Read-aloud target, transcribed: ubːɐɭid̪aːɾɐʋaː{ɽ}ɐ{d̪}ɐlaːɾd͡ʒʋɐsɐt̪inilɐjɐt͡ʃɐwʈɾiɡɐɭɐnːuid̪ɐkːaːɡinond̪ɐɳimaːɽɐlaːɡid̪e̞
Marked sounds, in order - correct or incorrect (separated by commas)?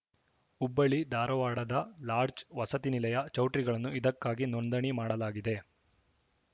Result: correct, correct